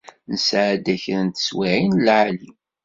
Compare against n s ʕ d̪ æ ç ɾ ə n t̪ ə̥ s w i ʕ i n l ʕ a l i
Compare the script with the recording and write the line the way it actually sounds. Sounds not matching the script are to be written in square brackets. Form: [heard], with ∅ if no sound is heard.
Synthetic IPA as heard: n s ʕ d̪ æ ç ɾ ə n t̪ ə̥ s w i ʕ i n l ʕ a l i

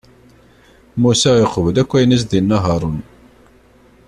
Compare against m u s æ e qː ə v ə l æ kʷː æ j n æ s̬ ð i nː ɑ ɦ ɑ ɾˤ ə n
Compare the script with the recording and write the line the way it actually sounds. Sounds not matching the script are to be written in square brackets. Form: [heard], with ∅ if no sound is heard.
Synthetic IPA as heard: m u s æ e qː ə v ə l æ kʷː æ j n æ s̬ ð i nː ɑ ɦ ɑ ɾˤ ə n

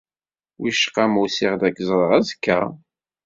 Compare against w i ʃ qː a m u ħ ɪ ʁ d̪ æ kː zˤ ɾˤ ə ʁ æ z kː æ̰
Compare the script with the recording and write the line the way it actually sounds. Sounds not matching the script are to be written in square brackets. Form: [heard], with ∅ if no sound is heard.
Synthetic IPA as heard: w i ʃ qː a m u [s] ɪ ʁ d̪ æ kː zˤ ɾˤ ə ʁ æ z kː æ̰

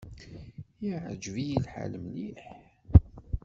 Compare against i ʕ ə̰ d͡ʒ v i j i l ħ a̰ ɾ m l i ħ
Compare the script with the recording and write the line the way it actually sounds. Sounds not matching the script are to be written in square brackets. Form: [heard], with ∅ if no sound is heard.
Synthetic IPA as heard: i ʕ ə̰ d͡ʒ v i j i l ħ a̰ [l] m l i ħ

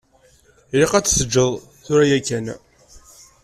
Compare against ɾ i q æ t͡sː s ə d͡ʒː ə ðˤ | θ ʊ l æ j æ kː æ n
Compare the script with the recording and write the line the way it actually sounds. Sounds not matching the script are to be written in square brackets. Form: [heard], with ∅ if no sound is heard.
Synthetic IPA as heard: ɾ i q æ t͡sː s ə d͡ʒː ə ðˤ | θ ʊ [ɾ] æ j æ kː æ n

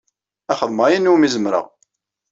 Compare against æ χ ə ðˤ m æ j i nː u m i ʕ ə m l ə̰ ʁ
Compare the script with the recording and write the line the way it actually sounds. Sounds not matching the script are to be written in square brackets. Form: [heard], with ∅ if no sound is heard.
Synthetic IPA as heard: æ χ ə ðˤ m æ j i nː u m i [z] ə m [ɾ] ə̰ ʁ

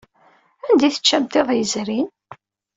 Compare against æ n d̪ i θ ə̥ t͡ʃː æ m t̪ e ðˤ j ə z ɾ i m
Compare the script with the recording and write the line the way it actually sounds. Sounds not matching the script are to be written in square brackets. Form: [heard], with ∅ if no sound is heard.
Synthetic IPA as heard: æ n d̪ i θ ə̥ t͡ʃː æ m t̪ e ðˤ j ə z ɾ i [n]

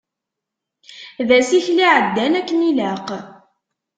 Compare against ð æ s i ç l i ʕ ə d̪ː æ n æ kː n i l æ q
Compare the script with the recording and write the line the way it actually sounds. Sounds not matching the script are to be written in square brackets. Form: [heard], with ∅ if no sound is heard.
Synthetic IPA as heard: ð æ s i ç l i ʕ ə d̪ː æ n æ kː n i l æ q

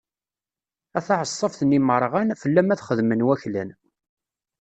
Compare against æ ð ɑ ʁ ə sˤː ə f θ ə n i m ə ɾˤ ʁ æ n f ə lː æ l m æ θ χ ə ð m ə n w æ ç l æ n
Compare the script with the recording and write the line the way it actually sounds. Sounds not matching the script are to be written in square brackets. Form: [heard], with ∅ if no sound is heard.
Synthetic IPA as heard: æ [θ] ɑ [ʕ] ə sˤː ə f θ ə n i m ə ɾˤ ʁ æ n f ə lː æ [∅] m æ θ χ ə ð m ə n w æ ç l æ n

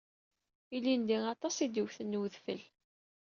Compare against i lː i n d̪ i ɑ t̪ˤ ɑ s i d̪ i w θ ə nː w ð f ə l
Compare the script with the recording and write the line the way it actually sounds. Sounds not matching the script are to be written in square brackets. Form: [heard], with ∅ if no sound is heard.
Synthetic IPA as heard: i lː i n d̪ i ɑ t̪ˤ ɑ s i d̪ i w θ ə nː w ð f ə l

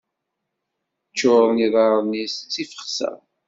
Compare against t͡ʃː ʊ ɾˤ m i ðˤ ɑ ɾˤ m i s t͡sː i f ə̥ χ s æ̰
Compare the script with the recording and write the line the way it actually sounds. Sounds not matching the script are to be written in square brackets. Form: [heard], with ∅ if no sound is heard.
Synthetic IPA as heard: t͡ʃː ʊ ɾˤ [n] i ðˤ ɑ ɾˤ [n] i s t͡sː i f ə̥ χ s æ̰

